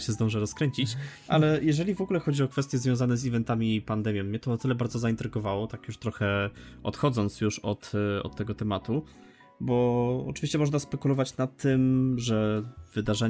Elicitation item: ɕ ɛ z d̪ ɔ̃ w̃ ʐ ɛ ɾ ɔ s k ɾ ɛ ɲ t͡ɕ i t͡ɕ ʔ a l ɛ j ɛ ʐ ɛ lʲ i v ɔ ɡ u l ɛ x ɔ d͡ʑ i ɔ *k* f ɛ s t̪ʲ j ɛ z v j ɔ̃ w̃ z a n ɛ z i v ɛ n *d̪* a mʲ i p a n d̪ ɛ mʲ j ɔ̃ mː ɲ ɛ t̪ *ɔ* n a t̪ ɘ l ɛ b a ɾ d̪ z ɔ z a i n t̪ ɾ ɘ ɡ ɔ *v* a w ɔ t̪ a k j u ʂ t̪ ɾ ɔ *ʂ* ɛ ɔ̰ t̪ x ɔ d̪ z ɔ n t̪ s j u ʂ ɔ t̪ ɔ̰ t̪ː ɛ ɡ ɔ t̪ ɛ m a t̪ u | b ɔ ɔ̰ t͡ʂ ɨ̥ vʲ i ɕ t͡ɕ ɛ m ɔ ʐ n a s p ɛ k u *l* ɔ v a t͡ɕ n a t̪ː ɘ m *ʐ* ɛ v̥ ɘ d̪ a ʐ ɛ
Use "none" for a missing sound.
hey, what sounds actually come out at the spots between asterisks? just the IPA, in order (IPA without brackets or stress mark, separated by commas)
k, t̪, ɔ, v, x, l, ʐ